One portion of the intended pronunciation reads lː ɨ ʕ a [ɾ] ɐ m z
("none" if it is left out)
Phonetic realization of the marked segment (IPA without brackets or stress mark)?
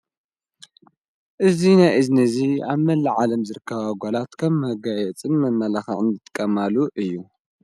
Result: l